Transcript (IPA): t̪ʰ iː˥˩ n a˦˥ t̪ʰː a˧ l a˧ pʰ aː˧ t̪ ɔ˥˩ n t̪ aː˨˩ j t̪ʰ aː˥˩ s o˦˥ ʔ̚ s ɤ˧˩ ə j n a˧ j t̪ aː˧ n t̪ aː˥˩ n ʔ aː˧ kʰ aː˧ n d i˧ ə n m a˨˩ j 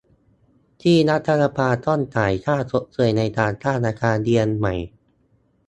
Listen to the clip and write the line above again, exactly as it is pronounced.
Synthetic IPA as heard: t̪ʰ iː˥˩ n a˦˥ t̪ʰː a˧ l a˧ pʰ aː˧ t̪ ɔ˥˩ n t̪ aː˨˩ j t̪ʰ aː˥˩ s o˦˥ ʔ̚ s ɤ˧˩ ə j n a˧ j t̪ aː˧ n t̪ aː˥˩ n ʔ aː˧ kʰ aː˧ n d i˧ ə n m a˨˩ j